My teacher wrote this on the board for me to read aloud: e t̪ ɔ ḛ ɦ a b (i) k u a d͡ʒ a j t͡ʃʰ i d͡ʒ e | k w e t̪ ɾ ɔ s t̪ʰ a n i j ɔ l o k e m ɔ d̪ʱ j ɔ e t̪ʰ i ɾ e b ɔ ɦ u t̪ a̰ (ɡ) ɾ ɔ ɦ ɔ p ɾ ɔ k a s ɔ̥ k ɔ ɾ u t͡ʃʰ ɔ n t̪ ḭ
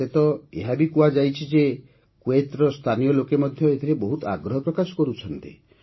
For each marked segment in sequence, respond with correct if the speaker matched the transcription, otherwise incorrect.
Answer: correct, correct

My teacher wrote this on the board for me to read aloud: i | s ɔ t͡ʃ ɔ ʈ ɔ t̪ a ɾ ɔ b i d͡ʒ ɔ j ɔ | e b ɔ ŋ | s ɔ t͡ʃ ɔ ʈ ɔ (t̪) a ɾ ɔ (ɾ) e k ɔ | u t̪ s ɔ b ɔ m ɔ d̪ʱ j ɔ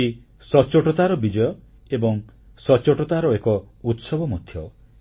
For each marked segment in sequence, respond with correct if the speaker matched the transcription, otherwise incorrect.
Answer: correct, incorrect: none

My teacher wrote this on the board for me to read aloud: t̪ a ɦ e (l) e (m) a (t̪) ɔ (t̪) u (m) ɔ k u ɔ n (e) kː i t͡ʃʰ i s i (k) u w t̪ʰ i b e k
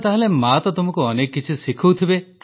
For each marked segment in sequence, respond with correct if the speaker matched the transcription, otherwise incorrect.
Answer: correct, correct, correct, correct, correct, correct, incorrect: kʰ

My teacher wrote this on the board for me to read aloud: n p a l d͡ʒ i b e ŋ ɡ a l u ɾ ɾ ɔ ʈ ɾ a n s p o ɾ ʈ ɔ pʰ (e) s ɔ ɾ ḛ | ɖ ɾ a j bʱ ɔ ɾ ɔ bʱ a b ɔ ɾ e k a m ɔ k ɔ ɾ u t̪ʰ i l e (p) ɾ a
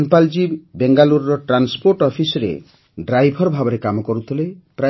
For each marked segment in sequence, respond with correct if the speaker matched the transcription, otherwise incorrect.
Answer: incorrect: i, correct

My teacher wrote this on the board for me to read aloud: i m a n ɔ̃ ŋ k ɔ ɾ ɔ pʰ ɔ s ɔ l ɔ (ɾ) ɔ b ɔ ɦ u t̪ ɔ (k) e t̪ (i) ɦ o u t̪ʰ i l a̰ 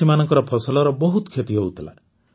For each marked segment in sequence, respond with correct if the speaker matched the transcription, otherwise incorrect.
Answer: correct, incorrect: kʰ, correct

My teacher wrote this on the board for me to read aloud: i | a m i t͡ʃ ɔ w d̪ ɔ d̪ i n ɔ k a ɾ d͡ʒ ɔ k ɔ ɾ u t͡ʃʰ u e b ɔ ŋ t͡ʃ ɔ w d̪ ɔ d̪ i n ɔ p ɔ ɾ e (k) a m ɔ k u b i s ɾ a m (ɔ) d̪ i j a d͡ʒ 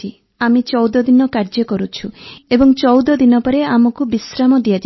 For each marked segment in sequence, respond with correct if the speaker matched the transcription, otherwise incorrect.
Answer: incorrect: none, correct

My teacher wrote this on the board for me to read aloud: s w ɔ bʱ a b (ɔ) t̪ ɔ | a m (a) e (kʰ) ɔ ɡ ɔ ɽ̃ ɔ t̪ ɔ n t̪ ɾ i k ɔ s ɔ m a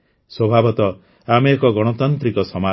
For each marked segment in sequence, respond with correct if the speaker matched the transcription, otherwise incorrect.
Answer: correct, incorrect: e, incorrect: k

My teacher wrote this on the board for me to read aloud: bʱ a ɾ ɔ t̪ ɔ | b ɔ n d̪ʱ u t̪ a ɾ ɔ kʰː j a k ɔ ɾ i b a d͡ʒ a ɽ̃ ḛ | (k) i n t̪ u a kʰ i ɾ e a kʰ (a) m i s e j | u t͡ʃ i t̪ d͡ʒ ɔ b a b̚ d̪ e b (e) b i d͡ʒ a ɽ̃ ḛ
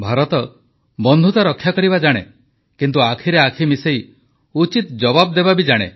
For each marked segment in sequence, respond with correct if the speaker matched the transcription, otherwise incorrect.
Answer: correct, incorrect: i, incorrect: a

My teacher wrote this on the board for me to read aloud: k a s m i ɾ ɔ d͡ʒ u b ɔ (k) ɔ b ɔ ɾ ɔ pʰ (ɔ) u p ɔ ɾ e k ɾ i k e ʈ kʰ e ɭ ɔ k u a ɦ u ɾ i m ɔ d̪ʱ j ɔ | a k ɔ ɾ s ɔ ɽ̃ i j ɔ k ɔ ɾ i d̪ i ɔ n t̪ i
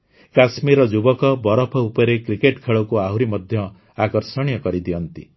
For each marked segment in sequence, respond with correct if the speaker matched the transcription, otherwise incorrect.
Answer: correct, correct

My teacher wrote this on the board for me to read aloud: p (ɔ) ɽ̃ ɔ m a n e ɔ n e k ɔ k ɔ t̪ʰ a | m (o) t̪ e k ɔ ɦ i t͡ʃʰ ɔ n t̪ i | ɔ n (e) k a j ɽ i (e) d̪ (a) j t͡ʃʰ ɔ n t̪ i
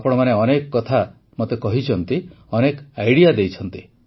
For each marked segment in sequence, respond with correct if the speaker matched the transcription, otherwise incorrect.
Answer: correct, correct, correct, incorrect: a, incorrect: e

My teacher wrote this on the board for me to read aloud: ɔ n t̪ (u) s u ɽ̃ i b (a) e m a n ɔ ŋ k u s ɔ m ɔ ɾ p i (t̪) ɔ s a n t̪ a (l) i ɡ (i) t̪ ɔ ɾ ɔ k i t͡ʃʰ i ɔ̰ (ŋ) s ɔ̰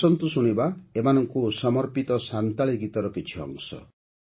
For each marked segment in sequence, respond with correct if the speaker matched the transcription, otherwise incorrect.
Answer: correct, correct, correct, incorrect: ɭ, correct, correct

